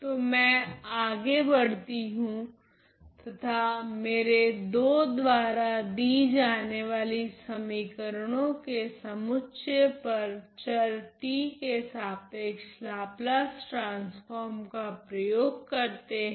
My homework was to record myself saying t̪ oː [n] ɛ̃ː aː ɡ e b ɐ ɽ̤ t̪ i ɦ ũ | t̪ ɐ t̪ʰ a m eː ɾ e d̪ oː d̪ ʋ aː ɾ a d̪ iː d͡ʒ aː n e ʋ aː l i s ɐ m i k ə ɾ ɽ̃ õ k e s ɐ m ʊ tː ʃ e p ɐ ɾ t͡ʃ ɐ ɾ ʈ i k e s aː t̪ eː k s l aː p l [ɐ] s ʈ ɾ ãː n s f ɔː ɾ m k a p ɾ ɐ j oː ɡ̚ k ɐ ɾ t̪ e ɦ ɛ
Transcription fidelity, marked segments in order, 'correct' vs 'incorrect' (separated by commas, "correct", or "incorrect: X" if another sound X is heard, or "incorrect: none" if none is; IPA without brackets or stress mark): incorrect: m, incorrect: a